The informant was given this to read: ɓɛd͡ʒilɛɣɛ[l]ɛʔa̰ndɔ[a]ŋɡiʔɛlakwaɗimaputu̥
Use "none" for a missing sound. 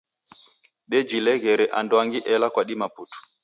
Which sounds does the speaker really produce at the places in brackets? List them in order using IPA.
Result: ɾ, a

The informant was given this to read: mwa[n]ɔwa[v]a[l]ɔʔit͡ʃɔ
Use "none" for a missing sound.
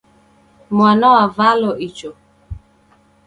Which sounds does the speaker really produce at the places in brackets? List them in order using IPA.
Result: n, v, l

